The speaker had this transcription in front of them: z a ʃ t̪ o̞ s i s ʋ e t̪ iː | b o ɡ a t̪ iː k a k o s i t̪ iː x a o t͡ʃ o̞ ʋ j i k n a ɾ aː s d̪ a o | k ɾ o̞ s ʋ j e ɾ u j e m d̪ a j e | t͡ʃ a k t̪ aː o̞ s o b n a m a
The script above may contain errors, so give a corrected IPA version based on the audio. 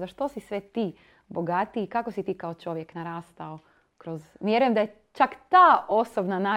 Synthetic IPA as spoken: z a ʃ t̪ o̞ s i s ʋ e t̪ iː | b o ɡ a t̪ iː k a k o s i t̪ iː k a o t͡ʃ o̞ ʋ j e k n a ɾ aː s t̪ a o | k ɾ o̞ z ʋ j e ɾ u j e m d̪ a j e | t͡ʃ a k t̪ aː o̞ s o b n a n a